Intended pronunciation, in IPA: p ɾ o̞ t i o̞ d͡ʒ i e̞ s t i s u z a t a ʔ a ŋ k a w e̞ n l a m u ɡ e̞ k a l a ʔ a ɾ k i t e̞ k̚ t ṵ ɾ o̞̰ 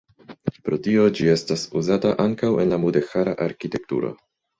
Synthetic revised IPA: p ɾ o̞ t i o̞ d͡ʒ i e̞ s t a s u z a t a ʔ a ŋ k a w e̞ n l a m u d e̞ x a ɾ a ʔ a ɾ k i t e̞ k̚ t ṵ ɾ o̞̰